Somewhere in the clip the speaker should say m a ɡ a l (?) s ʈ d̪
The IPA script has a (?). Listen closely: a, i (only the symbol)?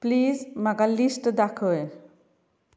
i